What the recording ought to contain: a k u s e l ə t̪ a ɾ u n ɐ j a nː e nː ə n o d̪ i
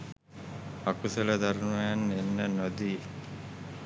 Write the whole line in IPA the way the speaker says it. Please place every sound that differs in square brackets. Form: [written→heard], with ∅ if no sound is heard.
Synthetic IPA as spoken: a k u s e l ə [t̪→d̪] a ɾ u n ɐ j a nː e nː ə n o d̪ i